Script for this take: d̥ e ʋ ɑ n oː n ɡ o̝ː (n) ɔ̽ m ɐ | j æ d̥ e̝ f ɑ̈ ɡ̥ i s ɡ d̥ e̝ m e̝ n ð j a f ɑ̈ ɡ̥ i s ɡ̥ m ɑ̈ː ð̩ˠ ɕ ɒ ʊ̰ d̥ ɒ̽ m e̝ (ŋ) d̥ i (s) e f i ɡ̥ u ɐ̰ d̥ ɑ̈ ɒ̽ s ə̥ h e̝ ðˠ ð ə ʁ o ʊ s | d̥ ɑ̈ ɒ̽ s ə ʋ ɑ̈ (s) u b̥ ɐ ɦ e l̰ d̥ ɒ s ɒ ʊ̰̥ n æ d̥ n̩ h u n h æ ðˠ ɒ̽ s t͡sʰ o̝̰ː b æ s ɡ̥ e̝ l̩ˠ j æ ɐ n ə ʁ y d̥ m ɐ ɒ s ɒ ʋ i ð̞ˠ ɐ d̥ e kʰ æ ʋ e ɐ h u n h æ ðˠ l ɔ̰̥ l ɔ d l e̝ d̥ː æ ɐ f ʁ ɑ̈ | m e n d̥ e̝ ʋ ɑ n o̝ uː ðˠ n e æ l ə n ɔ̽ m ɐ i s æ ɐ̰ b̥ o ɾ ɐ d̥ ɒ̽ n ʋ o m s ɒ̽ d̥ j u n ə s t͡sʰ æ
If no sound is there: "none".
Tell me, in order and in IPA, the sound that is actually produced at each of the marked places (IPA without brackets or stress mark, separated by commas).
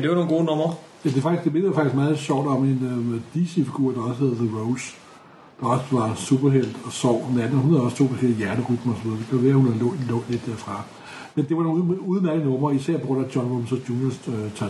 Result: n, n, s, s